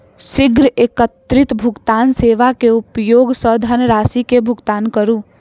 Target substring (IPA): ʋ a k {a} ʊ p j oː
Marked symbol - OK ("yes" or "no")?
no